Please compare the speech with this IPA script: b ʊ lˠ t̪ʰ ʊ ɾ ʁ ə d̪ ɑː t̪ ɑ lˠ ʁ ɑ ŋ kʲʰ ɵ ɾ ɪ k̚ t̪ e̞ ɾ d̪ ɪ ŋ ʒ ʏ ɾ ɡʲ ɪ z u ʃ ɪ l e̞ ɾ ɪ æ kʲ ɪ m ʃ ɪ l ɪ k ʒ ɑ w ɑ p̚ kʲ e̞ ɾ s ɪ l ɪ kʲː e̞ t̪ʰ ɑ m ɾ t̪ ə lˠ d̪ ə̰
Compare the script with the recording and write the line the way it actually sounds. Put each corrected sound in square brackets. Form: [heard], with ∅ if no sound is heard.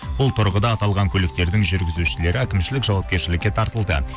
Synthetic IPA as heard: b ʊ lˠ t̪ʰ ʊ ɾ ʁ ə d̪ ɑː t̪ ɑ lˠ ʁ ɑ ŋ kʲʰ ɵ [l] ɪ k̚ t̪ e̞ ɾ d̪ ɪ ŋ ʒ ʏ ɾ ɡʲ ɪ z u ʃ ɪ l e̞ ɾ ɪ æ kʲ ɪ m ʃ ɪ l ɪ k ʒ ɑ w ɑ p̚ kʲ e̞ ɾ [ʃ] ɪ l ɪ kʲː e̞ t̪ʰ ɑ [∅] ɾ t̪ ə lˠ d̪ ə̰